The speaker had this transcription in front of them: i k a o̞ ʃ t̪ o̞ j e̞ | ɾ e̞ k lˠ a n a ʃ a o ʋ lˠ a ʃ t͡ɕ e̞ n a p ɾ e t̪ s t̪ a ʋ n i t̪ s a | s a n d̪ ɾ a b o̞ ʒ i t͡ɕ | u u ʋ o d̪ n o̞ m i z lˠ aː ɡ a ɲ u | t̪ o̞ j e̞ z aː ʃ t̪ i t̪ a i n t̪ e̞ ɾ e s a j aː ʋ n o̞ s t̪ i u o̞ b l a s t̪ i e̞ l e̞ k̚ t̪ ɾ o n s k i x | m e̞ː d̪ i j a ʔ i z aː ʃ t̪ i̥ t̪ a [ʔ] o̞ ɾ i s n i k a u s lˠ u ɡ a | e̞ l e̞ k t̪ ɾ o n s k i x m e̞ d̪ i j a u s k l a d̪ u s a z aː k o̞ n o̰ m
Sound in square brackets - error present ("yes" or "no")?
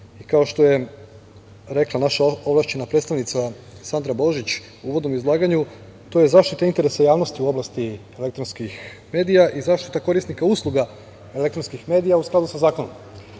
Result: yes